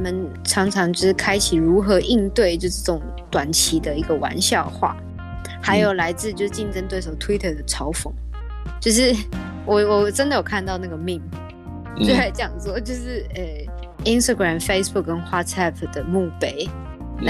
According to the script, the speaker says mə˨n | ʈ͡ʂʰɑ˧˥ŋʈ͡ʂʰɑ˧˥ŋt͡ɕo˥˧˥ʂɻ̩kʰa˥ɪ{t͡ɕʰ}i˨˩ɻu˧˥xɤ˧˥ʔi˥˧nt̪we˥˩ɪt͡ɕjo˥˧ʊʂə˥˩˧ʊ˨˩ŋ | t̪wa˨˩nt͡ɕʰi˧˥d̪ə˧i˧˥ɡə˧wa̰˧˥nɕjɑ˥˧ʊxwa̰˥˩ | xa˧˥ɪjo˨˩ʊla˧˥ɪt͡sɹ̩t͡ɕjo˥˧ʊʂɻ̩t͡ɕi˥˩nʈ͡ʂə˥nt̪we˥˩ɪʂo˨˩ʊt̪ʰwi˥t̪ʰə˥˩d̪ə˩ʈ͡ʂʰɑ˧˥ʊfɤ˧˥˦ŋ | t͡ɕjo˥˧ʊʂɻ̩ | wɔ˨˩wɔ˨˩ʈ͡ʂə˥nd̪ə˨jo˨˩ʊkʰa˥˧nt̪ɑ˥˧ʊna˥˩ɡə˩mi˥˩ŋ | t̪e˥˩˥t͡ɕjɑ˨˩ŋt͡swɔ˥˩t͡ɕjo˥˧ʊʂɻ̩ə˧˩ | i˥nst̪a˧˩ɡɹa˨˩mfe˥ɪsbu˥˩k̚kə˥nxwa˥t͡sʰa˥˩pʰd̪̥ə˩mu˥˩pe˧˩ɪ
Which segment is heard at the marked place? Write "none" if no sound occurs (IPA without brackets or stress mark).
t͡ɕʰ